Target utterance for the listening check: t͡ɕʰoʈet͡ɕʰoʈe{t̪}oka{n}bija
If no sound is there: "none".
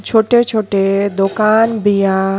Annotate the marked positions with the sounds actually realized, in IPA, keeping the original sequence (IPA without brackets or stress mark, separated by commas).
d̪, n